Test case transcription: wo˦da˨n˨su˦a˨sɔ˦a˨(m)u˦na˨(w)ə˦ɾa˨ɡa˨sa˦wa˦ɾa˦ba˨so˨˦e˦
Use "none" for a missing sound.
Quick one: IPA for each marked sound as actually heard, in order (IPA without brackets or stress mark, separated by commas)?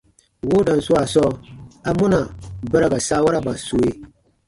m, b